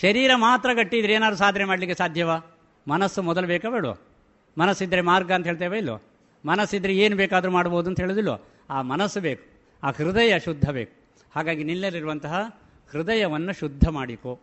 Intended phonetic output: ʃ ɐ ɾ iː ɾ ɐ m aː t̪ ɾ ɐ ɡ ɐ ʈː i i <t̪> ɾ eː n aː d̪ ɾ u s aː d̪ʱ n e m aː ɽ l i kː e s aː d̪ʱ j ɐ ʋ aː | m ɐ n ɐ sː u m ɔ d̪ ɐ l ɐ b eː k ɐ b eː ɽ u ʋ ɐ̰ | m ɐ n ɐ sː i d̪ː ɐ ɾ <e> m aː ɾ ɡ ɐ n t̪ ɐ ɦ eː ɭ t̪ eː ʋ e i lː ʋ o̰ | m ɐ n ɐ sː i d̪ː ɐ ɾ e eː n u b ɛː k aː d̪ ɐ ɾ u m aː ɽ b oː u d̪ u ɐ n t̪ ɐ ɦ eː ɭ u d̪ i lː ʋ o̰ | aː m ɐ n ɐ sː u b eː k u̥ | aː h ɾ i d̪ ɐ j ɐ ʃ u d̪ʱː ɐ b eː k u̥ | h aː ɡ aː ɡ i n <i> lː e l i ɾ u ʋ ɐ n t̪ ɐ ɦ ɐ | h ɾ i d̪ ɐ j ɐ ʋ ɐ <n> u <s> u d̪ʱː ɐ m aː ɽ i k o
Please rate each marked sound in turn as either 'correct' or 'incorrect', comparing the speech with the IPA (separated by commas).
incorrect, correct, correct, incorrect, incorrect